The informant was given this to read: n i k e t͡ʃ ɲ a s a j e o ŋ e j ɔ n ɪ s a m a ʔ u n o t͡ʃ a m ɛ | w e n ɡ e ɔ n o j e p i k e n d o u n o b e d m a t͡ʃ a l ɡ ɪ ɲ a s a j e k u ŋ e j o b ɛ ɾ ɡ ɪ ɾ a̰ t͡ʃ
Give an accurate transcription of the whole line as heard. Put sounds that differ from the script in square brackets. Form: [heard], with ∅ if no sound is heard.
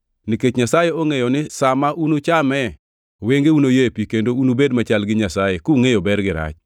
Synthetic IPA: n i k e t͡ʃ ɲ a s a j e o ŋ e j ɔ n ɪ s a m a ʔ u n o t͡ʃ a m ɛ | w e [ŋ] ɡ e [u] n o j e p i k e n d o u n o b e d m a t͡ʃ a l ɡ ɪ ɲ a s a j e k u ŋ e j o b ɛ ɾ ɡ ɪ ɾ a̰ t͡ʃ